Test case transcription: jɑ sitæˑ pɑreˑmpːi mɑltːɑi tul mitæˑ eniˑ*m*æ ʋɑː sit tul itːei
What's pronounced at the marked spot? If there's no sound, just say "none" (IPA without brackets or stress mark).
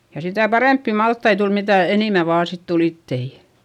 m